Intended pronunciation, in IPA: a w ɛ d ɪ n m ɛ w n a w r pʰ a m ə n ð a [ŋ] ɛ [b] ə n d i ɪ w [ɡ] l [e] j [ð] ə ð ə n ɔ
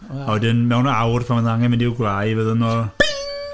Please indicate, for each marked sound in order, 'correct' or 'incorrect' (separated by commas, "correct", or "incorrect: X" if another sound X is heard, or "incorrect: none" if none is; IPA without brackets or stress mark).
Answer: correct, incorrect: m, correct, incorrect: a, incorrect: v